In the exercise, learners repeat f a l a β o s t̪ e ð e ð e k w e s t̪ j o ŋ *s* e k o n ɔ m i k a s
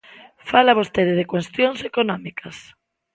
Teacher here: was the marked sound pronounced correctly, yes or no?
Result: yes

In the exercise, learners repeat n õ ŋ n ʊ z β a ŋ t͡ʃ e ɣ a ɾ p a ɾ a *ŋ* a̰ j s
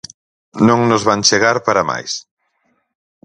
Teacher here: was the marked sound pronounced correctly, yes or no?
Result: no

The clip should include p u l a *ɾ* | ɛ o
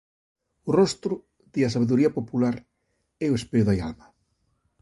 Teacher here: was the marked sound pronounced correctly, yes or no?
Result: yes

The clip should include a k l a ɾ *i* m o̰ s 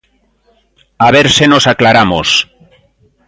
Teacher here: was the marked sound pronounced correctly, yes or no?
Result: no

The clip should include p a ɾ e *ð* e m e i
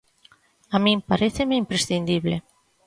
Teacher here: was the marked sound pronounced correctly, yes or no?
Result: no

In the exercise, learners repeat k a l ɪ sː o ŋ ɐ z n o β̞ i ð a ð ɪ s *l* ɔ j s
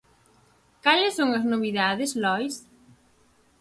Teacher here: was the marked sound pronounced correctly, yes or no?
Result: yes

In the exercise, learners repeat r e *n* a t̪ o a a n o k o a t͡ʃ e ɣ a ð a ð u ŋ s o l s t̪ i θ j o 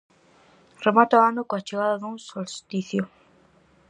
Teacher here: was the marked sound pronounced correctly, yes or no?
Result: no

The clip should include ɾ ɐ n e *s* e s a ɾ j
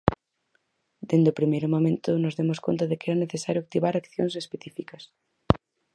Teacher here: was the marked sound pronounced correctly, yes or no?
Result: no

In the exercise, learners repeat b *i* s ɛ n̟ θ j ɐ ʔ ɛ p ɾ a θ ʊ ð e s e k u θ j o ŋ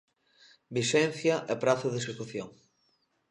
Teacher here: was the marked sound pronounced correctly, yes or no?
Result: yes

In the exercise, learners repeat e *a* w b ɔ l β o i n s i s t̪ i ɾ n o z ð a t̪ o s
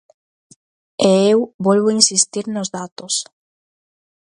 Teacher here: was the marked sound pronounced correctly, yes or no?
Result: no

